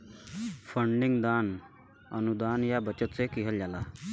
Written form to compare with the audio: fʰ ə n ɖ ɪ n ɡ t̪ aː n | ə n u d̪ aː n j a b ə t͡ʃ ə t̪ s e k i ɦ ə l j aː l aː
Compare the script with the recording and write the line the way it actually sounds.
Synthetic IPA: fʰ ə ɳ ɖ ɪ ŋ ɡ d̪ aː n | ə n u d̪ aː n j a b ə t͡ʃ ə t̪ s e k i ɦ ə l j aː l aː